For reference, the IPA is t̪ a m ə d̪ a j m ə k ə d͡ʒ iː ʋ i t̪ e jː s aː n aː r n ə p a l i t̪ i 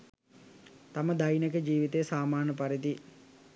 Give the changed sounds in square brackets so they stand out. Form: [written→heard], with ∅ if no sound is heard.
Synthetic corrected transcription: t̪ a m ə d̪ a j [m→n] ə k ə d͡ʒ iː ʋ i t̪ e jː s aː [n→m] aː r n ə p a [l→ɾ] i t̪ i